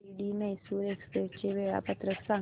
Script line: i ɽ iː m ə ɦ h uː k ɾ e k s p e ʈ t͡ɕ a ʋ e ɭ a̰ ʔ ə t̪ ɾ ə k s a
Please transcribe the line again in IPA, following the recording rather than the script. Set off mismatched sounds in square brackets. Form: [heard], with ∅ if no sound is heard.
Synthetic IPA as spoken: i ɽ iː m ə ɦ [s] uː [∅] ɾ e k s p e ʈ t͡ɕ [e] ʋ e ɭ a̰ [p] ə t̪ ɾ ə k s a